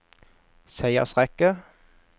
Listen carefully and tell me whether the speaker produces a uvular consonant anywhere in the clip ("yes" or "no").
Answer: yes